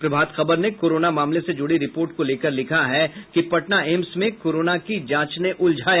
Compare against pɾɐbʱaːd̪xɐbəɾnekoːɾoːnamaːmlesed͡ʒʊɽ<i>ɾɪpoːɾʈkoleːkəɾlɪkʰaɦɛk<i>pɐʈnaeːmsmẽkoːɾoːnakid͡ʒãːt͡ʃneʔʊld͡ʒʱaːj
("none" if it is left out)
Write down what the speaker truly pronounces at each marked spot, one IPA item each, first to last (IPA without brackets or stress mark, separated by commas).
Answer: i, i